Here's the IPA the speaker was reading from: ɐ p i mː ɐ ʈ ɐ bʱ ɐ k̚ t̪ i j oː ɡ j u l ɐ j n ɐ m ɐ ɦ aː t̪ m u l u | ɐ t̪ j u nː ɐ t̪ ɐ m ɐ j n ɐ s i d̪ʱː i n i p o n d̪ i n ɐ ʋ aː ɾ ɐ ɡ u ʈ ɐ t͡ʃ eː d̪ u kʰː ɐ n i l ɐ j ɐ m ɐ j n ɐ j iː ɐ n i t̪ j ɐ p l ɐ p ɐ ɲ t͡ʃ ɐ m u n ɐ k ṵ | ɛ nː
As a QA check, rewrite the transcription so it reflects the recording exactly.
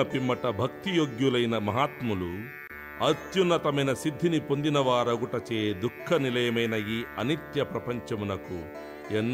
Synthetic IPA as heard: ɐ p i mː ɐ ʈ ɐ bʱ ɐ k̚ t̪ i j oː ɡ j u l ɐ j n ɐ m ɐ ɦ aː t̪ m u l u | ɐ t̪ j u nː ɐ t̪ ɐ m ɐ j n ɐ s i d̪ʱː i n i p o n d̪ i n ɐ ʋ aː ɾ ɐ ɡ u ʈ ɐ t͡ʃ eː d̪ u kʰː ɐ n i l ɐ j ɐ m ɐ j n ɐ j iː ɐ n i t̪ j ɐ p ɾ ɐ p ɐ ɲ t͡ʃ ɐ m u n ɐ k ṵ | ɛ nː